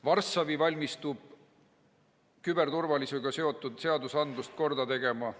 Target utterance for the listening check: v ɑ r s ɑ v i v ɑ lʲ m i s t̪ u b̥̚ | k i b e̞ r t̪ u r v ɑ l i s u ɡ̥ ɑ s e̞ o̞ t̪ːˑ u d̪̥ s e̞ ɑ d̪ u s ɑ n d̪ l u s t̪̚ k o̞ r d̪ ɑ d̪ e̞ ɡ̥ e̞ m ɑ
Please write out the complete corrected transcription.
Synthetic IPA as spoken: v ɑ r s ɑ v i v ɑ lʲ m i s t̪ u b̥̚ | k y b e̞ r t̪ u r v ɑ l i s u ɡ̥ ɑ s e̞ o̞ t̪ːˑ u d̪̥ s e̞ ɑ d̪ u s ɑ n d̪ l u s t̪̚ k o̞ r d̪ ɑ t̪ e̞ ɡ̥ e̞ m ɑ

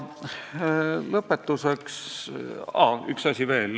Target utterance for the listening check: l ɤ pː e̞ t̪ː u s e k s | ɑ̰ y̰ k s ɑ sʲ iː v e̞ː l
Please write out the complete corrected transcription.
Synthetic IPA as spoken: l ɤ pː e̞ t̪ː u s e k s | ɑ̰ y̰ k s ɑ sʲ i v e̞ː l

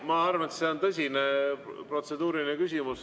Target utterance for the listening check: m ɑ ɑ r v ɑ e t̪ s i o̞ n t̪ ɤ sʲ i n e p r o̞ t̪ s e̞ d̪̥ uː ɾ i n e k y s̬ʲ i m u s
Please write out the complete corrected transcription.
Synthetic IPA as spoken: m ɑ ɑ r v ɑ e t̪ s e o̞ n t̪ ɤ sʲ i n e p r o̞ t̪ s e̞ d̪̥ uː ɾ i n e k y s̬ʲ i m u s

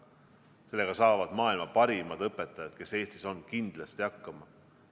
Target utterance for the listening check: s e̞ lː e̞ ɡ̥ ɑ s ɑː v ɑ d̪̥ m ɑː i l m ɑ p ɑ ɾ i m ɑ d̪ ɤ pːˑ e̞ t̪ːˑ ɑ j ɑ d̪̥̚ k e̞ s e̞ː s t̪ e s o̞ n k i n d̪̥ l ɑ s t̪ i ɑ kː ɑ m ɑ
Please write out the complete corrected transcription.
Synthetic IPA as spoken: s e̞ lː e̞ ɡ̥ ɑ s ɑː v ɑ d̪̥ m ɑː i l m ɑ p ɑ ɾ i m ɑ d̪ ɤ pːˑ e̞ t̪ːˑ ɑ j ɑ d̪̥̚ k e̞ s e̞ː s t̪ i s o̞ n k i n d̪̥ l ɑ s t̪ i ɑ kː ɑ m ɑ

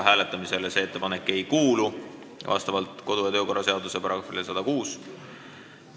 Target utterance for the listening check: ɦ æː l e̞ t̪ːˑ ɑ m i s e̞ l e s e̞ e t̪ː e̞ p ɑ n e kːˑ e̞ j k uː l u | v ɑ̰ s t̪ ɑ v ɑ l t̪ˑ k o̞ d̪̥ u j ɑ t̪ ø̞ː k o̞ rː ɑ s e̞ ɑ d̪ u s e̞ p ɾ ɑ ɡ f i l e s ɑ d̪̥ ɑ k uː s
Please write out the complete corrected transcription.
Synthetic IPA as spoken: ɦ æː l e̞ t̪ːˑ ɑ m i s e̞ l e s e̞ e t̪ː e̞ p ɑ n e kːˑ e̞ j k uː l u | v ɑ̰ s t̪ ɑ v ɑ l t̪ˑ k o̞ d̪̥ u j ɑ t̪ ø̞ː k o̞ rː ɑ s e̞ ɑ d̪ u s e̞ p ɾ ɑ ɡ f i l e s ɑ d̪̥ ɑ k uː s

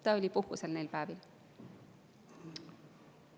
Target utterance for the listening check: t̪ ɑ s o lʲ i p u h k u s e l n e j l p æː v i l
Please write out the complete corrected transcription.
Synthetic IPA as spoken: t̪ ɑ o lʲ i p u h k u s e l n e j l p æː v i l

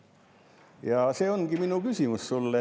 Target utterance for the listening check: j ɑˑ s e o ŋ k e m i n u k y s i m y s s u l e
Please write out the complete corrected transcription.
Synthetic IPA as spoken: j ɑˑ s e o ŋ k i m i n u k y s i m y s s u lː e

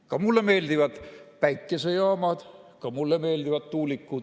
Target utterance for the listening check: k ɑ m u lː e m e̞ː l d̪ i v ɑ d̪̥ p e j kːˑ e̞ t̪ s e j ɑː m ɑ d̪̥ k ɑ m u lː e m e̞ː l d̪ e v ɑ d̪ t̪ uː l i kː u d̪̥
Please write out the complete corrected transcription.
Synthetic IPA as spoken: k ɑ m u lː e m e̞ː l d̪ i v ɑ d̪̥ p æ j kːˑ e̞ s e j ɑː m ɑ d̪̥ k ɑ m u lː e m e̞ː l d̪ i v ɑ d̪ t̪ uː l i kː u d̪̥

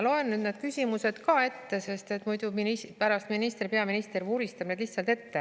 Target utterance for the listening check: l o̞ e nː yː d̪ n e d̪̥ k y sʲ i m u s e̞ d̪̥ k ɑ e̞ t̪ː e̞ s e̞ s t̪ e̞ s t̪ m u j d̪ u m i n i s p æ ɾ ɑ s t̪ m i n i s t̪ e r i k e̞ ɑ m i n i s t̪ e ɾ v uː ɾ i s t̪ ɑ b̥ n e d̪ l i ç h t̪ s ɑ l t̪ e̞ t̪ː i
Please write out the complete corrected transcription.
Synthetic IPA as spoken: l o̞ e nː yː d̪ n e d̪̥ k y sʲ i m u s e̞ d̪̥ k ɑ e̞ t̪ː e̞ s e̞ s t̪ e̞ t̪ m u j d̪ u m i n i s p æ ɾ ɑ s t̪ m i n i s t̪ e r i p e̞ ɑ m i n i s t̪ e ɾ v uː ɾ i s t̪ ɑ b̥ n e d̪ l i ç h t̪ s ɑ l t̪ e̞ t̪ː e

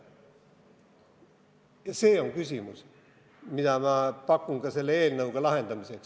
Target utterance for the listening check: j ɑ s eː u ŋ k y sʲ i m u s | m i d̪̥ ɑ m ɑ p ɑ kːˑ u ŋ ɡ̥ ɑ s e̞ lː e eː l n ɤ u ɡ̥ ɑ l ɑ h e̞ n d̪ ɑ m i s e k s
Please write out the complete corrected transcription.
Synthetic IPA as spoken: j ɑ s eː o ŋ k y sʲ i m u s | m i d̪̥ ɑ m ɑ p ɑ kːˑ u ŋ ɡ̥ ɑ s e̞ lː e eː l n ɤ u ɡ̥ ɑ l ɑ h e̞ n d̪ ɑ m i s e k s

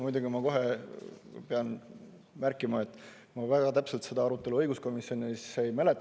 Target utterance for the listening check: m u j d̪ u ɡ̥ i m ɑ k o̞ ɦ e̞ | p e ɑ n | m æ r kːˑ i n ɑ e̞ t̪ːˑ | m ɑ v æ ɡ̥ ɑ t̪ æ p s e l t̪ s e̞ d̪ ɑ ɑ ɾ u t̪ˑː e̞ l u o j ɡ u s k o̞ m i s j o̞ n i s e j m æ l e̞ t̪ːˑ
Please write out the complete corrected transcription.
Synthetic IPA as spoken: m u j d̪ u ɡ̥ i m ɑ k o̞ ɦ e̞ | p e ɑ n | m æ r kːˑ i m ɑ e̞ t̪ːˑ | m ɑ v æ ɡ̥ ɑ t̪ æ p s e l t̪ s e̞ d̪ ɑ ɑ ɾ u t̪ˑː e̞ l u ɤ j ɡ u s k o̞ m i s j o̞ n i s e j m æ l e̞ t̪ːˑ

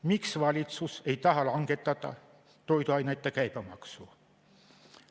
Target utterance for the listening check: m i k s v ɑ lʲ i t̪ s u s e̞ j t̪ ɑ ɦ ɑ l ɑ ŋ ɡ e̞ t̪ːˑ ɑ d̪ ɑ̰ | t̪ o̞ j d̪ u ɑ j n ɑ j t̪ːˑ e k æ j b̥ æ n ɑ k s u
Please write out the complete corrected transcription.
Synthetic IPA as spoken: m i k s v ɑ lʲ i t̪ s u s e̞ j t̪ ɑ ɦ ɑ l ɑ ŋ ɡ e̞ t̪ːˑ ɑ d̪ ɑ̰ | t̪ o̞ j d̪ u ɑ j n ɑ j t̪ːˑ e k æ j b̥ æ m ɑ k s u

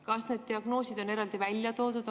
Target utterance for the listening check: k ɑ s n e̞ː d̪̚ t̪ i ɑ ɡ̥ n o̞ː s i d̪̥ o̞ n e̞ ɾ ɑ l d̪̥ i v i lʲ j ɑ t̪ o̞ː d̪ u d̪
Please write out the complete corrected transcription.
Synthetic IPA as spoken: k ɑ s n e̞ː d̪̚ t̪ i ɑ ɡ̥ n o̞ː s i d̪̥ o̞ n e̞ ɾ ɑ l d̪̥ i v æ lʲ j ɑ t̪ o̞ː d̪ u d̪

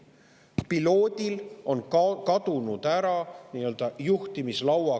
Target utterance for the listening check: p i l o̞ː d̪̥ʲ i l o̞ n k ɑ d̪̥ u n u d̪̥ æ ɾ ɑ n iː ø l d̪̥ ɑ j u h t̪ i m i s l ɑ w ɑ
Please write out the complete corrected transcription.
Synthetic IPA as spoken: p i l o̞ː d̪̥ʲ i l o̞ n k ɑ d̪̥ u n u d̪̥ æ ɾ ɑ n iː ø l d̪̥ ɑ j u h t̪ i m i s l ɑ w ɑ

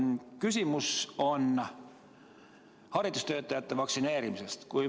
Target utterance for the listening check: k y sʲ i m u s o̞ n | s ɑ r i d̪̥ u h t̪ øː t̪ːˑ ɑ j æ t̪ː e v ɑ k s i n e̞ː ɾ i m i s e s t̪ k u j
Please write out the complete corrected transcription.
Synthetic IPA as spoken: k y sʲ i m u s o̞ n | h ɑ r i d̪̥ u s t̪ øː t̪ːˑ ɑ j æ t̪ː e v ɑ k s i n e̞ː ɾ i m i s e s t̪ k u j

